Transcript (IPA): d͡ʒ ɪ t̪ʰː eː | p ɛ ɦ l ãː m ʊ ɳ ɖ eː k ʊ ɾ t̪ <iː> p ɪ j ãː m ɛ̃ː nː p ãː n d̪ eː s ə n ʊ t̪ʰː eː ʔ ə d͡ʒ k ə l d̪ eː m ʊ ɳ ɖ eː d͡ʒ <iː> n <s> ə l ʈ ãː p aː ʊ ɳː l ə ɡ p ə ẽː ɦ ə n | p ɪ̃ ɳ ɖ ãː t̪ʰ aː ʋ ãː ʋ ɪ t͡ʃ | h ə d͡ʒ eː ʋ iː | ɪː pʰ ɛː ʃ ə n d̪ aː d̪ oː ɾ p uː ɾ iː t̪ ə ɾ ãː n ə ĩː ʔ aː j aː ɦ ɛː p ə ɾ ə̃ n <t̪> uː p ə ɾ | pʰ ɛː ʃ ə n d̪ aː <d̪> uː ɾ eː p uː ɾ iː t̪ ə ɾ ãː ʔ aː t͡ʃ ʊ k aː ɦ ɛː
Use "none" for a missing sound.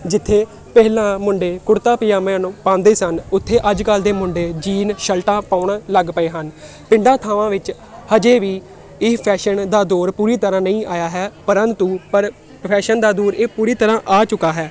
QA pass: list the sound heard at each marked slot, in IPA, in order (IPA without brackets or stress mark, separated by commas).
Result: aː, iː, ʃ, t̪, d̪